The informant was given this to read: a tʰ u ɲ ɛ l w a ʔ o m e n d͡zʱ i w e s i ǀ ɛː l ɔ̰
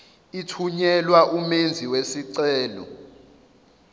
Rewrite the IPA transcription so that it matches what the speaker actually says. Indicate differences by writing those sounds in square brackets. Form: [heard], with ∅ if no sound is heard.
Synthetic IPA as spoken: [i] tʰ u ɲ ɛ l w a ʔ [u] m e n d͡zʱ i w e s i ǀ ɛː l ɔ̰

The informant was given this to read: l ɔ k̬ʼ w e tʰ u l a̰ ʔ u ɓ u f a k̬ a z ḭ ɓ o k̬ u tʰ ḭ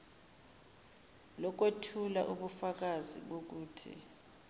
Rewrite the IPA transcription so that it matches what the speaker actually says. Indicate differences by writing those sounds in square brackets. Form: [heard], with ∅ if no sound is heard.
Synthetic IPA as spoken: l ɔ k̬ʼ w e tʰ u l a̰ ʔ u ɓ u f a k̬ a z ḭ ɓ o k̬ [uː] tʰ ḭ

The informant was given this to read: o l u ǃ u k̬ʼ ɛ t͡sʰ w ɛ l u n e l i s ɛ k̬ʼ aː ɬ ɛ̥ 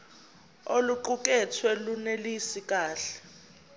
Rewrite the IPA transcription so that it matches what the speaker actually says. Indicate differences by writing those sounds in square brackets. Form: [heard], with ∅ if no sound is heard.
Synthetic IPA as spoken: o l u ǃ u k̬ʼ ɛ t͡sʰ w ɛ l u n e l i s [i] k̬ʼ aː ɬ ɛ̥

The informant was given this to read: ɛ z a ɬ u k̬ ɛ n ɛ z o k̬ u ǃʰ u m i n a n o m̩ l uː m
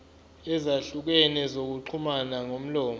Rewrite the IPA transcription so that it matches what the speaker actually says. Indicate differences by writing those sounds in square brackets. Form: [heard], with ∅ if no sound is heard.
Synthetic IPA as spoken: ɛ z a ɬ u k̬ ɛ n ɛ z o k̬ u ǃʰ u m [a] n a [ŋ] o m̩ l [ɔː] m

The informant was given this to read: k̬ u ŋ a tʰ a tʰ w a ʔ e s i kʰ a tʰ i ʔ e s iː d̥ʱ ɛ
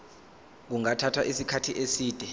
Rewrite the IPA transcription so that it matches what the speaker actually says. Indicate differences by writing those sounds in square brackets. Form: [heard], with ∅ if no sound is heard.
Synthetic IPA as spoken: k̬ u ŋ a tʰ a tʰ w a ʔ [i] s i kʰ a tʰ i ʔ e s iː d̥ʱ ɛ

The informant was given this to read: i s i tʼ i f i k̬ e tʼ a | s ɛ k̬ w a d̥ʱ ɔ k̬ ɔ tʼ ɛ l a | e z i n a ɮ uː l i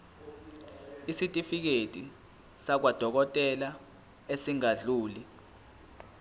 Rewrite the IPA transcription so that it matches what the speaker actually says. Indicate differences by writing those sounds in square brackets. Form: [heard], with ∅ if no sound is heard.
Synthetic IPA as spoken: i s i tʼ i f i k̬ e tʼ [i] | s [a] k̬ w a d̥ʱ ɔ k̬ ɔ tʼ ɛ l a | e [s] i [ŋ] a ɮ uː l i

